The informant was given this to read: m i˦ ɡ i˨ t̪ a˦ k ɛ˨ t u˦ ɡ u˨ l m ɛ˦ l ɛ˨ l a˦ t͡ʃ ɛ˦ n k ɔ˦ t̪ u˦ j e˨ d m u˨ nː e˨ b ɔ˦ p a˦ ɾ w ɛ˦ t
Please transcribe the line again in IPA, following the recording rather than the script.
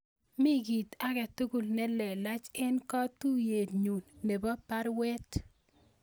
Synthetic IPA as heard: m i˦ ɡ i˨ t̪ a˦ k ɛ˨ t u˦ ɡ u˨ l n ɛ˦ l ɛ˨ l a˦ t͡ʃ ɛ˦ n k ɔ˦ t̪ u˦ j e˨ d ɲ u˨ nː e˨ b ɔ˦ p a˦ ɾ w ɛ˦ t